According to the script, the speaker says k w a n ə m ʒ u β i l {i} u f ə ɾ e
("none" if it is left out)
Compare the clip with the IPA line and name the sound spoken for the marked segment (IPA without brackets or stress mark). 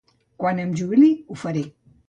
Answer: i